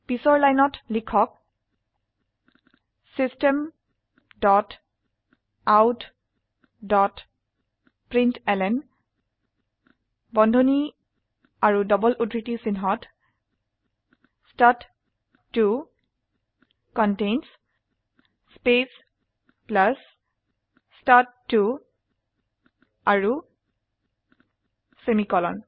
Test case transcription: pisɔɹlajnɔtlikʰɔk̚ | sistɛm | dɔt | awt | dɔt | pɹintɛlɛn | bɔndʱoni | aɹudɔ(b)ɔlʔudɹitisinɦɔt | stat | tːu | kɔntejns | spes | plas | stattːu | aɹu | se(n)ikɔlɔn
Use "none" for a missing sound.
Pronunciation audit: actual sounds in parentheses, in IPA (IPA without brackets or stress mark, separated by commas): b, m